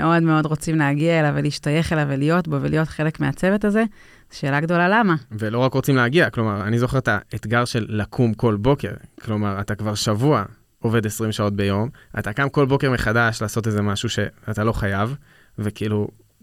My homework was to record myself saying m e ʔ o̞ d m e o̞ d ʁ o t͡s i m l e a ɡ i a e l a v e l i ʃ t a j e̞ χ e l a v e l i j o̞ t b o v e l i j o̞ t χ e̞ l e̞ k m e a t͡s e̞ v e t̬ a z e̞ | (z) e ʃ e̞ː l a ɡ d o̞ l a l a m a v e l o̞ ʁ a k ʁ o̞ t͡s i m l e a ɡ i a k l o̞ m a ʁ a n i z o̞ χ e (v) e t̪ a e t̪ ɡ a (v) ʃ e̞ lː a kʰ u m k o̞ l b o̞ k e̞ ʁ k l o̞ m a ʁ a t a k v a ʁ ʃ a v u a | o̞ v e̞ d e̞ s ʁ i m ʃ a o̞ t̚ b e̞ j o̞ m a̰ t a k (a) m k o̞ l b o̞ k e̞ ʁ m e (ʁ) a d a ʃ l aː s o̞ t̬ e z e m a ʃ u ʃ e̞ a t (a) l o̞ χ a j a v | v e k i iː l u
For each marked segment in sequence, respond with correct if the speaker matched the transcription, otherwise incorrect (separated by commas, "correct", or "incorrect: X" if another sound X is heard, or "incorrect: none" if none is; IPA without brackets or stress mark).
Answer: correct, incorrect: ʁ, incorrect: ʁ, correct, incorrect: χ, correct